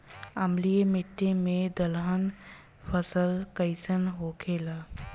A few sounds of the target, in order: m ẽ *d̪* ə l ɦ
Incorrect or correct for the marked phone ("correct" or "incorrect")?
correct